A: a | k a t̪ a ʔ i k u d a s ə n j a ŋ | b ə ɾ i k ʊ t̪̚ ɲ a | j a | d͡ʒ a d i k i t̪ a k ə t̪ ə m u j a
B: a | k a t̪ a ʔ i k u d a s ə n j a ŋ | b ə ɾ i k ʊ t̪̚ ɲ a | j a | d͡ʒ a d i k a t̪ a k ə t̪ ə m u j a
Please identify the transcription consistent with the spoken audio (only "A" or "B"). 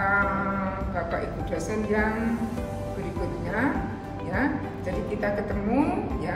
A